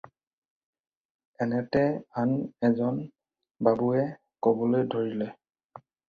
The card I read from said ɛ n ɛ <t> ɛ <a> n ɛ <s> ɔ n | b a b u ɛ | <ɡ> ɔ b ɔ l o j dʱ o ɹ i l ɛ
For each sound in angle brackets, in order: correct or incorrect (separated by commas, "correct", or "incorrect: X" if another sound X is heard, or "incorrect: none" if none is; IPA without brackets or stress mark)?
correct, correct, incorrect: z, incorrect: k